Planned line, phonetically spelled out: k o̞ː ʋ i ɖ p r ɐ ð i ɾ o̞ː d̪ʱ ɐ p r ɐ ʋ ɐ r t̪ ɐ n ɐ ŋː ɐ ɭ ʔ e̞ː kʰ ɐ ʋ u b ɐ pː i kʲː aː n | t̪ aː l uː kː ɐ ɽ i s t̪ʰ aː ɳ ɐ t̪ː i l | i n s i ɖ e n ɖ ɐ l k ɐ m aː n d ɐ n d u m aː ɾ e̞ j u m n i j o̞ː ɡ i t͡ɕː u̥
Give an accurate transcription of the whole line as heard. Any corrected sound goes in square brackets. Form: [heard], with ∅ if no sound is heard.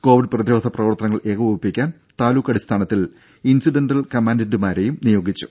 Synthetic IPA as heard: k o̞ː ʋ i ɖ p r ɐ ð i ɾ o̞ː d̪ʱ ɐ p r ɐ ʋ ɐ r t̪ ɐ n ɐ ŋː ɐ ɭ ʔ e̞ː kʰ ɐ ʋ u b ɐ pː i kʲː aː n | t̪ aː l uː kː ɐ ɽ i s t̪ʰ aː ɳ ɐ t̪ː i l | i n s i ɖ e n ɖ ɐ l k ɐ m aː n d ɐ n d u m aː ɾ e̞ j u m n i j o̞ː ɡ i t͡ɕː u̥